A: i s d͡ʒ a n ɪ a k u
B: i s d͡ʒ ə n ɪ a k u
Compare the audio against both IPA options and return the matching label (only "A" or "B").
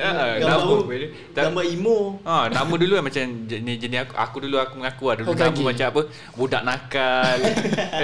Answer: B